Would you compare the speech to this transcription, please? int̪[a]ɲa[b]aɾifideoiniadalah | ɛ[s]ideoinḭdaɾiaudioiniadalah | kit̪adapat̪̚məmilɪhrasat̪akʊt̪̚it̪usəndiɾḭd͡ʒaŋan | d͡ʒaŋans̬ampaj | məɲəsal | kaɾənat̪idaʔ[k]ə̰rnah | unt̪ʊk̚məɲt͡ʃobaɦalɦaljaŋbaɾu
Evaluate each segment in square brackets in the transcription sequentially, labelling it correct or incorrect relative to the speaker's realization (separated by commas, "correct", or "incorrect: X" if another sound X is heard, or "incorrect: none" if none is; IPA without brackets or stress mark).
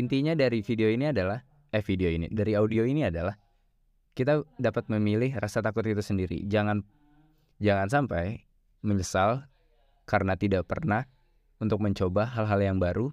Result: incorrect: i, incorrect: d, incorrect: f, incorrect: p